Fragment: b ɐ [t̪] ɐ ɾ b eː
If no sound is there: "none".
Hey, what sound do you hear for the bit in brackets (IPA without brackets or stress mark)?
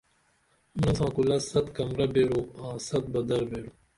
d̪